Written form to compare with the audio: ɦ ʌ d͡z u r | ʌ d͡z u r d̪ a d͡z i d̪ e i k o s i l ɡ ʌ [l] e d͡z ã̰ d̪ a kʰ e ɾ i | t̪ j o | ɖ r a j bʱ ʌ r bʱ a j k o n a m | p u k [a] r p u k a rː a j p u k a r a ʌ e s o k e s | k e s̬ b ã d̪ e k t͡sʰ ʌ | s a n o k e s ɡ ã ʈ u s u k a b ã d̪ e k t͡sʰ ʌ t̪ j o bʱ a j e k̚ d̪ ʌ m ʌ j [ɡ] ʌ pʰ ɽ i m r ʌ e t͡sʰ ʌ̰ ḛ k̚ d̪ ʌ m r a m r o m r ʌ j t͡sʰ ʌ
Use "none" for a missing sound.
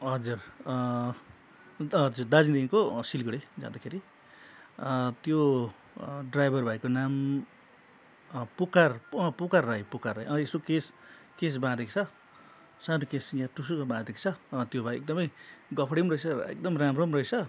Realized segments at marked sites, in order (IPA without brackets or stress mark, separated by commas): ɽ, a, ɡ